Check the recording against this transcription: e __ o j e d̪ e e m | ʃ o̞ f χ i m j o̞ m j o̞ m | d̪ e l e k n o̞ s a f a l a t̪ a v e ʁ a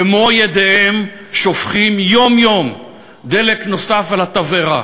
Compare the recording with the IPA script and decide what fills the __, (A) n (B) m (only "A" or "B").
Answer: B